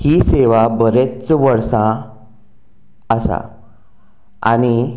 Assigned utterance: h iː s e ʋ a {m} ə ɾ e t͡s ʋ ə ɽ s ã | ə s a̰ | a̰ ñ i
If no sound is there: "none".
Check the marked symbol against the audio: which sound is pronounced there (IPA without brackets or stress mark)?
b